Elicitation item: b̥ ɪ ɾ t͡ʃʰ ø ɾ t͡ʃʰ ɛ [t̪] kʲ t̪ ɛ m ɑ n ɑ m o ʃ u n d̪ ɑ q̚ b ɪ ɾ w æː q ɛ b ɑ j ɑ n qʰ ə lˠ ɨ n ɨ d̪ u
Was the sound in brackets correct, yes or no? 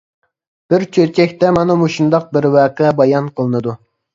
no